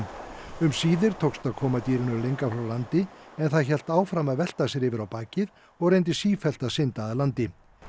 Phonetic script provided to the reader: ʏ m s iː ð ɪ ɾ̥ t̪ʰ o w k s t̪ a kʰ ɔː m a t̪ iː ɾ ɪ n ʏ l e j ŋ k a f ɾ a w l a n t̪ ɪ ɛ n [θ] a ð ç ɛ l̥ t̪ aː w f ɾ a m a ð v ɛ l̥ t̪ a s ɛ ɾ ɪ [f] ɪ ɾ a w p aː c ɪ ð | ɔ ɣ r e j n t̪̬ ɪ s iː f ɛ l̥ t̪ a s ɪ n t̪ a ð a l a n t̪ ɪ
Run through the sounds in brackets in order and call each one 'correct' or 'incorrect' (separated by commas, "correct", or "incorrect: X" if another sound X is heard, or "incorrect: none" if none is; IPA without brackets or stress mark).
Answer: correct, incorrect: v